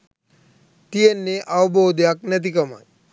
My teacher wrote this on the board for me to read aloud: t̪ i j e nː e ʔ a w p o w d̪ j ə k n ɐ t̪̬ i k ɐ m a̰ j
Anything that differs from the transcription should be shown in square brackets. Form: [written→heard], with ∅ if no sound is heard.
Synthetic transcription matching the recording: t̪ i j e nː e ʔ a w [p→b] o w d̪ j [ə→a] k n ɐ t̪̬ i k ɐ m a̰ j